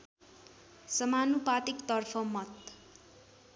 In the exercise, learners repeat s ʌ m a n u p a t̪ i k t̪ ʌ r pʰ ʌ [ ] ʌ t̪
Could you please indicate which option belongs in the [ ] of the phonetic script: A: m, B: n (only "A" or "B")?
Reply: A